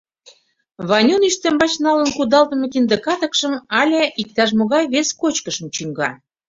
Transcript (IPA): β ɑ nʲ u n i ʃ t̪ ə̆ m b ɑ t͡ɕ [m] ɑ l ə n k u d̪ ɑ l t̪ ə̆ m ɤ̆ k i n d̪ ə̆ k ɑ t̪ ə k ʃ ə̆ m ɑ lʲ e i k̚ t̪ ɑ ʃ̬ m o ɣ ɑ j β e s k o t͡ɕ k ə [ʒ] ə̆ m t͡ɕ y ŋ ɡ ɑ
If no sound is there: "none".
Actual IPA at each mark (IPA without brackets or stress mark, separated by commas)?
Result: n, ʃ